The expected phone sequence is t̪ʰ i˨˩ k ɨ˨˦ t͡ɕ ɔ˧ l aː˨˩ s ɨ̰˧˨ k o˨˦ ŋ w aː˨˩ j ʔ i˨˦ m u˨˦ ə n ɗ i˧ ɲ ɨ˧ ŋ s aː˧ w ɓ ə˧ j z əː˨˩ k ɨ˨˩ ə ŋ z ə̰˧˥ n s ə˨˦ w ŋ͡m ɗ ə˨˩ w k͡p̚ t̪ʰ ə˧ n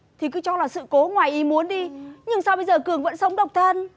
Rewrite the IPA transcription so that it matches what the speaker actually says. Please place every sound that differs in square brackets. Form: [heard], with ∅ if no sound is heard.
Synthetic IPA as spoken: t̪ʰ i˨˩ k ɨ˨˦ t͡ɕ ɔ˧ l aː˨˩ s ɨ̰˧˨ k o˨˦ ŋ w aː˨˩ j ʔ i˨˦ m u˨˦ ə n ɗ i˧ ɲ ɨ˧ ŋ s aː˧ w ɓ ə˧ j z əː˨˩ k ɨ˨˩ ə ŋ [v] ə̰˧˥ n s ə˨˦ w ŋ͡m ɗ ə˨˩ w k͡p̚ t̪ʰ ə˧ n